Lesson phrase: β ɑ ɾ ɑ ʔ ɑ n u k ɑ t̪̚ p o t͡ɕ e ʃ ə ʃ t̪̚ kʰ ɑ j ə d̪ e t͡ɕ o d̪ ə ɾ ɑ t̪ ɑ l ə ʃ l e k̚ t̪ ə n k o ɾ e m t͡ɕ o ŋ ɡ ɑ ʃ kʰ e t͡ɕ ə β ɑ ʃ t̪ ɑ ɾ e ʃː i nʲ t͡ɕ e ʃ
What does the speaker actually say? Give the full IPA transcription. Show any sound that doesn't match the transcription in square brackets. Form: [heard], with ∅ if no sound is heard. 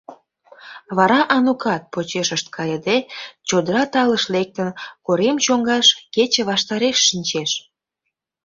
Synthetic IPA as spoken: β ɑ ɾ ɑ ʔ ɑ n u k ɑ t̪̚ p o t͡ɕ e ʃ ə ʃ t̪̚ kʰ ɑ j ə d̪ e t͡ɕ o d̪ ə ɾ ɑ t̪ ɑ l ə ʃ l e k̚ t̪ ə n k o ɾ e m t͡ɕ o ŋ ɡ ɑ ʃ [k] e t͡ɕ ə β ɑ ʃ t̪ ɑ ɾ e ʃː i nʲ t͡ɕ e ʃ